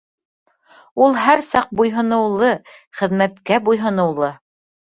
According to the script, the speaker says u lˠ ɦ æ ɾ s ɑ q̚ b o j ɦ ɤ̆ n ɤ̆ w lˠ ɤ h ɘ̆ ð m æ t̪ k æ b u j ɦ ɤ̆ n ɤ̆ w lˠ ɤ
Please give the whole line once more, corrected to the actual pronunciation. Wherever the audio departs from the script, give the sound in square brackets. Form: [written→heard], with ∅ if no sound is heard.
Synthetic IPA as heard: u lˠ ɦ æ ɾ s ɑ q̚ b [o→u] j ɦ ɤ̆ n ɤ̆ w lˠ ɤ [h→χ] ɘ̆ ð m æ t̪ k æ b u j ɦ ɤ̆ n ɤ̆ w lˠ ɤ